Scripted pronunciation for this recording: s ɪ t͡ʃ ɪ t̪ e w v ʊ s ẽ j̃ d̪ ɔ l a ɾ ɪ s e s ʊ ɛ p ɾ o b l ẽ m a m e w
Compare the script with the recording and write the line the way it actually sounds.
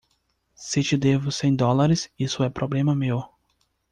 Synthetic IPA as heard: s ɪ t͡ʃ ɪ d̪ e v ʊ s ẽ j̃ d̪ ɔ l a ɾ ɪ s i s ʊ ɛ p ɾ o b l ẽ m ɐ m e w